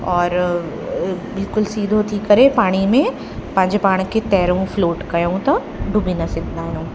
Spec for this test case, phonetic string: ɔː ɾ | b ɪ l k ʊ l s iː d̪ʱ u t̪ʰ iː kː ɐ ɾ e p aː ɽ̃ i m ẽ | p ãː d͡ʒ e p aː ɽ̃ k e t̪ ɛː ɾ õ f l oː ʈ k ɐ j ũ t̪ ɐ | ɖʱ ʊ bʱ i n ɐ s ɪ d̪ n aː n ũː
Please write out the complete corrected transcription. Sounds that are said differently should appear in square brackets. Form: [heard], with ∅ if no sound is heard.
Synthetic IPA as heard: ɔː ɾ | b ɪ l k ʊ l s iː d̪ʱ [o] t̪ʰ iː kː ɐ ɾ e p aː ɽ̃ i m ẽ | p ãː d͡ʒ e p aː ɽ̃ k e t̪ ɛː ɾ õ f l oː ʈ k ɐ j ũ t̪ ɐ | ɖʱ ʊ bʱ i n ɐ s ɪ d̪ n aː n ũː